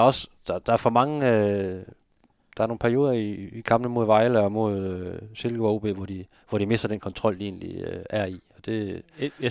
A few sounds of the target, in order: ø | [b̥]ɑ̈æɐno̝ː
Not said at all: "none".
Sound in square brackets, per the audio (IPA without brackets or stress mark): d̥